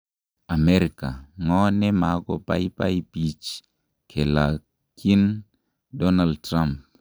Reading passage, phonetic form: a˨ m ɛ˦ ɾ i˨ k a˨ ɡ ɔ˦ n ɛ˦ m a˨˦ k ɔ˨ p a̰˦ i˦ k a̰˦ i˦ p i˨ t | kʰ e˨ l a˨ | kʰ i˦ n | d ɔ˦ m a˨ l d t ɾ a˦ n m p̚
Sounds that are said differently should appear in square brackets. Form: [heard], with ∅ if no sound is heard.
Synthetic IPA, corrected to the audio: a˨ m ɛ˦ ɾ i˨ k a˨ [ŋ] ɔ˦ n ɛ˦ m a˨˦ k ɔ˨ p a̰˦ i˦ [p] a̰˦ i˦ p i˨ [t͡ʃ] | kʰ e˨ l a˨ | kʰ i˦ n | d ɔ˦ [n] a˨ l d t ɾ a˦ [∅] m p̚

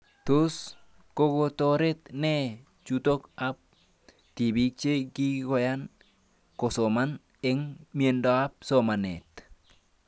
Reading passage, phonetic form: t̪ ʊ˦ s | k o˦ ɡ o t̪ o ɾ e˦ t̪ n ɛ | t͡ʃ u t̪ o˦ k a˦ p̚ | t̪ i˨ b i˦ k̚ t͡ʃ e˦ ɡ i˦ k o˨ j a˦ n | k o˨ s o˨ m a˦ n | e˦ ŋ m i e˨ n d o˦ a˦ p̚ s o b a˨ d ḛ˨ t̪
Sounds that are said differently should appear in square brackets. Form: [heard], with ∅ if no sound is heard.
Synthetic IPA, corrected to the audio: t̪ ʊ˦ s | k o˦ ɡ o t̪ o ɾ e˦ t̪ n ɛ | t͡ʃ u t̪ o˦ k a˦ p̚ | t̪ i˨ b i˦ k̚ t͡ʃ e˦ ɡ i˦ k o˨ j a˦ n | k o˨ s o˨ m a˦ n | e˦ ŋ m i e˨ n d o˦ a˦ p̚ s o [m] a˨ [n] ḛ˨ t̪

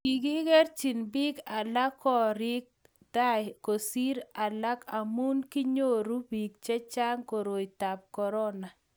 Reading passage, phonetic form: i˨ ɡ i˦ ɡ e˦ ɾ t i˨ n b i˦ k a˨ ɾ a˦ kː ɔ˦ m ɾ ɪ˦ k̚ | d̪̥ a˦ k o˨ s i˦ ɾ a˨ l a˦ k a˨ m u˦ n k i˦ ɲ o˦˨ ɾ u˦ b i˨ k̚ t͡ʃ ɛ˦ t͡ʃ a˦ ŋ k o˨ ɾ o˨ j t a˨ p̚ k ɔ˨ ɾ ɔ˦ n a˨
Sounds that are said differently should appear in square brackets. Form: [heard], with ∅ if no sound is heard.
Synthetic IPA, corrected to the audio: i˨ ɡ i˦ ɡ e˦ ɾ [t͡ʃ] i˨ n b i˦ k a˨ [l] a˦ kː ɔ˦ [∅] ɾ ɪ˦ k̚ | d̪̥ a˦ k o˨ s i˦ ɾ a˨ l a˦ k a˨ m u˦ n k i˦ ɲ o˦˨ ɾ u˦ b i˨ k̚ t͡ʃ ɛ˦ t͡ʃ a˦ ŋ k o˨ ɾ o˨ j t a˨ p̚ k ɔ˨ ɾ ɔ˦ n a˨

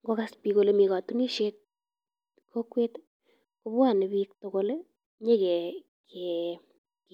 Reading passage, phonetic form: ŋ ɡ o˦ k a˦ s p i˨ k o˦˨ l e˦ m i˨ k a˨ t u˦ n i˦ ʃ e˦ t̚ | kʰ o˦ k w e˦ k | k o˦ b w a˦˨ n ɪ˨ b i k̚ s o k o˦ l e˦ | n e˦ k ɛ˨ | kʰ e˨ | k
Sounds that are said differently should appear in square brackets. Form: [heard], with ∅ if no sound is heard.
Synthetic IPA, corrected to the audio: ŋ ɡ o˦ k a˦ s p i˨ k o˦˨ l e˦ m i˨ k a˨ t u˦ n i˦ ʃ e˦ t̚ | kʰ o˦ k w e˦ [t] | k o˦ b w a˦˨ n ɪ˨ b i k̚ [t] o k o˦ l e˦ | [ɲ] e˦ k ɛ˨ | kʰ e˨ | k

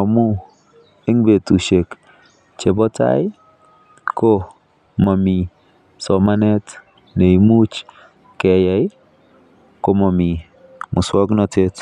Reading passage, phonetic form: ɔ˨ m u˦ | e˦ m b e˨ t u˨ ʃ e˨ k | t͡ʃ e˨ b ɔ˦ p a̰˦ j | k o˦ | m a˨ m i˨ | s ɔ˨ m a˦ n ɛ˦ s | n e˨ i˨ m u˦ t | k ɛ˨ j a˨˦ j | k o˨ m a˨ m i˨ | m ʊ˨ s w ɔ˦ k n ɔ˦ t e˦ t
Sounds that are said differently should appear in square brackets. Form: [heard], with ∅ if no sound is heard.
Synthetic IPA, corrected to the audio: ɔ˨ m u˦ | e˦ [ŋ] b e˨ t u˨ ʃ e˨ k | t͡ʃ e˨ b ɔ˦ [t] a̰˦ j | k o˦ | m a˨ m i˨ | s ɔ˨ m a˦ n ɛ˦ [t] | n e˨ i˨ m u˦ [t͡ʃ] | k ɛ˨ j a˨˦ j | k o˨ m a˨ m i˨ | m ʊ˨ s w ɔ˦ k n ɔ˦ t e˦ t

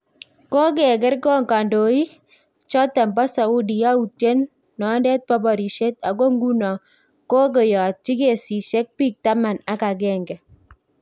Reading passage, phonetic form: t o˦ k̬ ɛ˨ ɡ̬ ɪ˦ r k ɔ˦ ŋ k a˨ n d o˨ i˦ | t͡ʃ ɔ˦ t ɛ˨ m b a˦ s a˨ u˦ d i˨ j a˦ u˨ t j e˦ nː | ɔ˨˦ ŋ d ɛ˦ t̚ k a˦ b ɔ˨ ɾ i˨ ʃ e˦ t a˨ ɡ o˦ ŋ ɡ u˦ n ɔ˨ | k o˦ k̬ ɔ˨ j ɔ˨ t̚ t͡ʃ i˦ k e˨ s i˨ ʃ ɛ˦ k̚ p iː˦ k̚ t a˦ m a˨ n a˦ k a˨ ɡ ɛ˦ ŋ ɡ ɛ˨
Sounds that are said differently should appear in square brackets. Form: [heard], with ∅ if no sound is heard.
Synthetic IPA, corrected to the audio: [k] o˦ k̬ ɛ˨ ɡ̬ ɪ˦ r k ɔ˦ ŋ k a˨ n d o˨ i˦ | t͡ʃ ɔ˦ t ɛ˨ m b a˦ s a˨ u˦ d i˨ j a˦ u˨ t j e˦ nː | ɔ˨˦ [n] d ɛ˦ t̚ [p] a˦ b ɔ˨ ɾ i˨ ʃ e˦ t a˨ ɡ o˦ ŋ ɡ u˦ n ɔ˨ | k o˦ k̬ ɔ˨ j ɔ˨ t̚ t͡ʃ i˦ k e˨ s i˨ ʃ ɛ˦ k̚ p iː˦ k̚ t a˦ m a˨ n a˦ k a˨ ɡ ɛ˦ ŋ ɡ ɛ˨

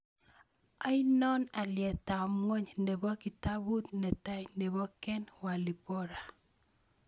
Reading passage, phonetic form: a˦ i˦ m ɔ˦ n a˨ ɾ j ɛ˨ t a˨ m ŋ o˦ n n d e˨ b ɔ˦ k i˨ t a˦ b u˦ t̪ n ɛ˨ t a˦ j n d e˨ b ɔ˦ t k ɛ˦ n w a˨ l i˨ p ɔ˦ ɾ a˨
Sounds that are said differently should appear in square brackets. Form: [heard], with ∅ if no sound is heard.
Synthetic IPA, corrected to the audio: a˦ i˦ [n] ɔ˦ n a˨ [l] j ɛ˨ t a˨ m ŋ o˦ [ɲ] n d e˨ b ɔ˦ k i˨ t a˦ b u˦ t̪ n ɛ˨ t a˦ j n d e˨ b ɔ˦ [∅] k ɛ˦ n w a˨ l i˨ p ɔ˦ ɾ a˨

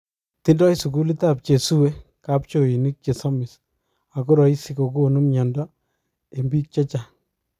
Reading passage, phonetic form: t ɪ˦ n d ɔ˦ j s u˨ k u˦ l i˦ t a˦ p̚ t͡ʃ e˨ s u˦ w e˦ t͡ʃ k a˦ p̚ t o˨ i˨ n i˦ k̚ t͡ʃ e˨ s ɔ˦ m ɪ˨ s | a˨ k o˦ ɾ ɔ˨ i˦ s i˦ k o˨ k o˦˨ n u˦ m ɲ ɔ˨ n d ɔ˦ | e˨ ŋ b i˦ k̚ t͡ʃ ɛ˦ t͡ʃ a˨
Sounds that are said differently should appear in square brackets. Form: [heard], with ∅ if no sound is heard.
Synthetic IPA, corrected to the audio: t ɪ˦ n d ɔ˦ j s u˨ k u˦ l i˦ t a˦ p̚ t͡ʃ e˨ s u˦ w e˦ [∅] k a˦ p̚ [t͡ʃ] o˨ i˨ n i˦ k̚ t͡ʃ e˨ s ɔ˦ m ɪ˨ s | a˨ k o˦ ɾ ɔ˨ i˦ s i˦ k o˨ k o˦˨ n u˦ m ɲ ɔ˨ n d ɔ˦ | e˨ [m] b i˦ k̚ t͡ʃ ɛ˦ t͡ʃ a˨

